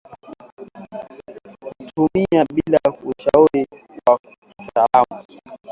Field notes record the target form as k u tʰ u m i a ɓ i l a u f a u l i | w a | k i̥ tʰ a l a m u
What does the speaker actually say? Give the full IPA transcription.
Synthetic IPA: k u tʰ u m i a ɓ i l a u ʃ a u ɾ i | w a | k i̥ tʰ a l a m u

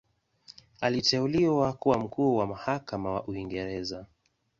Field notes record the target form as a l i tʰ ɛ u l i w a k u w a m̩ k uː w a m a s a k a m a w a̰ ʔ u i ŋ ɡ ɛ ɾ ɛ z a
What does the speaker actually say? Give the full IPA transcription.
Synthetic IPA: a l i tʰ ɛ u l i w a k u w a m̩ k uː w a m a h a k a m a w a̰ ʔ u i ŋ ɡ ɛ ɾ ɛ z a

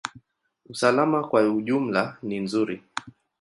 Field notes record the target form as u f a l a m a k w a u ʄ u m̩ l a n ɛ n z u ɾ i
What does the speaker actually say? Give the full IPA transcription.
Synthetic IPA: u s a l a m a k w a u ʄ u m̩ l a n i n z u ɾ i

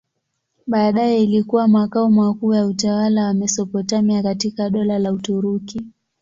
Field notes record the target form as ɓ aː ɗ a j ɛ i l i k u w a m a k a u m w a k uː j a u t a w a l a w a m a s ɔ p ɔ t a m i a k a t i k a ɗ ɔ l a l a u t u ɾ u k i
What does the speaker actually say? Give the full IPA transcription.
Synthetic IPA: ɓ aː ɗ a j ɛ i l i k u w a m a k a u m w a k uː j a u t a w a l a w a m ɛ s ɔ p ɔ t a m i a k a t i k a ɗ ɔ l a l a u t u ɾ u k i

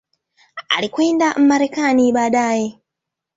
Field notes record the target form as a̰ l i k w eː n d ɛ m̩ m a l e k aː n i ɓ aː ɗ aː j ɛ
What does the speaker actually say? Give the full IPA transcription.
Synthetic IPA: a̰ l i k w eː n d a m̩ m a ɾ e k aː n i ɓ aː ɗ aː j e

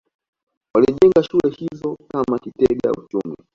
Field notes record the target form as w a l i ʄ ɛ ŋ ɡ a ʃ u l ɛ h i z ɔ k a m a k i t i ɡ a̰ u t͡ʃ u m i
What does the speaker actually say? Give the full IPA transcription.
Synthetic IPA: w a l i ʄ ɛ ŋ ɡ a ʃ u l ɛ h i z ɔ k a m a k i t ɛ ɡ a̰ u t͡ʃ u m i

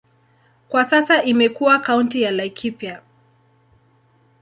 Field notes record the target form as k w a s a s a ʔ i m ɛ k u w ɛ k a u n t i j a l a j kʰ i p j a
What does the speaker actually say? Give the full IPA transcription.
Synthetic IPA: k w a s a s a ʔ i m ɛ k u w a k a u n t i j a l a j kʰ i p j a

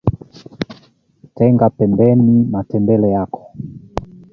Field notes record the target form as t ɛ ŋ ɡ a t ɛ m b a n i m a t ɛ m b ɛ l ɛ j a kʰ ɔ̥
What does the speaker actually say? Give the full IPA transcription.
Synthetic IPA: t ɛ ŋ ɡ a p ɛ m b ɛ n i m a t ɛ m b ɛ l ɛ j a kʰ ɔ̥

